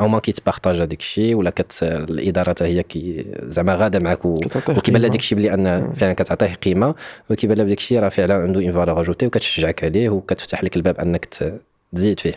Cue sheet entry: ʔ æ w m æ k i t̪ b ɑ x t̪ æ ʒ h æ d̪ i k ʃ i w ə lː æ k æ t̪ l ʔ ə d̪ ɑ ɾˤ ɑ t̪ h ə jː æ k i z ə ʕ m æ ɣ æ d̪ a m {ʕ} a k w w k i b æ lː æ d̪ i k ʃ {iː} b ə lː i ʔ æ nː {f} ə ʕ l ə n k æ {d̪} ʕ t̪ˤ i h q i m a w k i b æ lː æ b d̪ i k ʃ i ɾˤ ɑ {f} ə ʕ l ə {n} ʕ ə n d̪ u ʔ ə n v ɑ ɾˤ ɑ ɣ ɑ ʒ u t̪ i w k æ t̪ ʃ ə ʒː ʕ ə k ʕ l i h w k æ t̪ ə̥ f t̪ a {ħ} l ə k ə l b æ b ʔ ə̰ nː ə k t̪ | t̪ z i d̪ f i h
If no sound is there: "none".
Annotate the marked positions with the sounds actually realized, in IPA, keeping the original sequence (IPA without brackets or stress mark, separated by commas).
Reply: ʕ, i, f, t̪, f, n, ħ